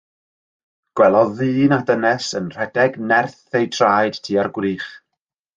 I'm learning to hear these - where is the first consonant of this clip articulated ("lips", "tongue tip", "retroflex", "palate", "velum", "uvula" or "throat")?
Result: velum